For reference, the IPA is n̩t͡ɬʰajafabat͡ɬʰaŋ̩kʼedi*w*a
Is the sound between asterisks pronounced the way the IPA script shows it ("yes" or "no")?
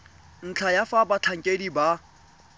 no